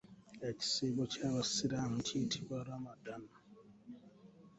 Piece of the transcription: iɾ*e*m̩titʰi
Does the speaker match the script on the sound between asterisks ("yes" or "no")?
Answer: no